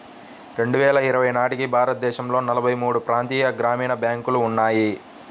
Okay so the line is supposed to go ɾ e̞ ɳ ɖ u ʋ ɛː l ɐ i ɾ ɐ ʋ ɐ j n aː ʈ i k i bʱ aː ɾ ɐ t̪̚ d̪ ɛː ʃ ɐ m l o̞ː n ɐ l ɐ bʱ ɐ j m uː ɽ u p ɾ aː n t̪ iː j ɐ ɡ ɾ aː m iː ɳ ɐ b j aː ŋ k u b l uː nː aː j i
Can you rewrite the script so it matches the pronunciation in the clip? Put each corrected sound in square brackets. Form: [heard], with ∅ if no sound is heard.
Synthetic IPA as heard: ɾ e̞ ɳ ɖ u ʋ ɛː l ɐ i ɾ ɐ ʋ ɐ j n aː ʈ i k i bʱ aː ɾ ɐ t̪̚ d̪ ɛː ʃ ɐ m l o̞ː n ɐ l ɐ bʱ ɐ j m uː ɽ u p ɾ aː n t̪ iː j ɐ ɡ ɾ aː m iː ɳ ɐ b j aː ŋ k u [∅] l uː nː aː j i